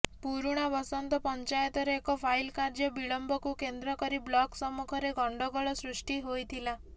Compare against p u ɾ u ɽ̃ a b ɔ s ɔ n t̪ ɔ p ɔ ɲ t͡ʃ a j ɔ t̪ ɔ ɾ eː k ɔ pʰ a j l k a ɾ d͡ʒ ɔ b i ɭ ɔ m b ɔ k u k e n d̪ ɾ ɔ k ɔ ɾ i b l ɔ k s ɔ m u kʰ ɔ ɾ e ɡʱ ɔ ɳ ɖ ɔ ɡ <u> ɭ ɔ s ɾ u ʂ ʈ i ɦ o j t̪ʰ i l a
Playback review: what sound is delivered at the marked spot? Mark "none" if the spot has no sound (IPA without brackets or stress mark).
ɔ